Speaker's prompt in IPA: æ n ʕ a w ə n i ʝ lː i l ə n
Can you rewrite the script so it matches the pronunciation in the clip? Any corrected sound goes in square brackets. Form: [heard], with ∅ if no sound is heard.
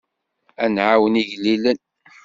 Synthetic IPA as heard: æ n ʕ a w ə n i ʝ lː i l ə n